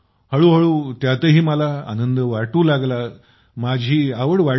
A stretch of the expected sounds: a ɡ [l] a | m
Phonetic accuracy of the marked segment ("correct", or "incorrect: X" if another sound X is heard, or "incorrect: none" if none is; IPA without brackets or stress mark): correct